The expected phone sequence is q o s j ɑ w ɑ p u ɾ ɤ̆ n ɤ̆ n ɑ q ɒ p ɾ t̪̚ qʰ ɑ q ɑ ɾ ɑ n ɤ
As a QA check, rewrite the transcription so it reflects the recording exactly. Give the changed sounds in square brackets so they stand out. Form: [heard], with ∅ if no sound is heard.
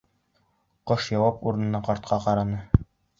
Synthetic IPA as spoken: q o [ʃ] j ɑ w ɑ p u ɾ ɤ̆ n ɤ̆ n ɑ q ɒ [∅] ɾ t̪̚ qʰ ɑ q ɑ ɾ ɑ n ɤ